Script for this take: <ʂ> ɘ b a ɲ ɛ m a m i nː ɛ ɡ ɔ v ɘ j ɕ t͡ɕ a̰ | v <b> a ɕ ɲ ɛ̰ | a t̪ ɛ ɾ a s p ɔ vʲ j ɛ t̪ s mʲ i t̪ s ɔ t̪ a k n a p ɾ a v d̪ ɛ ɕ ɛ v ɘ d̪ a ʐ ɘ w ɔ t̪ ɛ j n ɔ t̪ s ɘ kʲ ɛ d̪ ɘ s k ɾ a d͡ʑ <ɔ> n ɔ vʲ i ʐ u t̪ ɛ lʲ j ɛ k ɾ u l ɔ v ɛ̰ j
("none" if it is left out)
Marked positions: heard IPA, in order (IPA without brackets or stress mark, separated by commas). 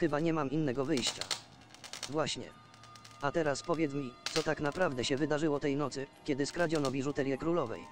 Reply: x, w, ɔ